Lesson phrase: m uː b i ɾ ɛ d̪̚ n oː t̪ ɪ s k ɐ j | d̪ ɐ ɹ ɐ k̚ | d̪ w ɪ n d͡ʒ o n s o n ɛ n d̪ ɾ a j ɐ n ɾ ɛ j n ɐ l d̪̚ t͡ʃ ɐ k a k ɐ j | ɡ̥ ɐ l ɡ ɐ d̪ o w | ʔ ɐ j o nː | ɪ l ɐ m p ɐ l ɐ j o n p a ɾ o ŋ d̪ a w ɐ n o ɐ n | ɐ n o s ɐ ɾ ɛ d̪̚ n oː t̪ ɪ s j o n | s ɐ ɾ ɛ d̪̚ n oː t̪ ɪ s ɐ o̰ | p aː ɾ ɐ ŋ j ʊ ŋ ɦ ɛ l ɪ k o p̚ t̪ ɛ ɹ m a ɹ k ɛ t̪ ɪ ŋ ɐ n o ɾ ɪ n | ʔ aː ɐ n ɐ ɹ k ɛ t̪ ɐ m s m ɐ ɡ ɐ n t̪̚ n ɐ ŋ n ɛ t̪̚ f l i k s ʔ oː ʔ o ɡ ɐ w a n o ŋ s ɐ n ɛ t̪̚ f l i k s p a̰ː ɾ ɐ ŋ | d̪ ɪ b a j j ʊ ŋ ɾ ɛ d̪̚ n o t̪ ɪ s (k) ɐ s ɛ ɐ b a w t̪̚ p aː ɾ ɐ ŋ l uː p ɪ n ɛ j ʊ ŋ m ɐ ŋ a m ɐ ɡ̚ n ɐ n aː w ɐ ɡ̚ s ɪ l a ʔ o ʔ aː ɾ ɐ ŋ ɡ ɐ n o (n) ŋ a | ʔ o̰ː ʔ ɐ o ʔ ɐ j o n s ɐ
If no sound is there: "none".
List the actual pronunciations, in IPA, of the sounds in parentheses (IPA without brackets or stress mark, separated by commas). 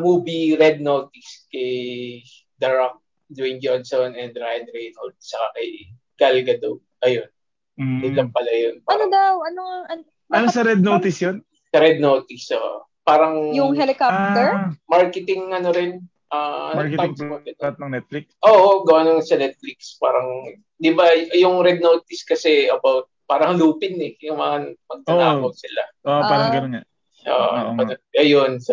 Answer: k, n